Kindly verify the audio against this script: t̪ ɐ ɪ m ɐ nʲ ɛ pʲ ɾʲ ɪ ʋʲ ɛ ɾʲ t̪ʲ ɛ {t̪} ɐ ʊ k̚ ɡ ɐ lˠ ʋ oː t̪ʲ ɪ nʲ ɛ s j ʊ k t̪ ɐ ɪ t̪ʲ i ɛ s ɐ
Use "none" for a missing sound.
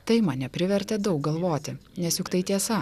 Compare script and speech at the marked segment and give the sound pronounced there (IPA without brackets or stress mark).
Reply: d̪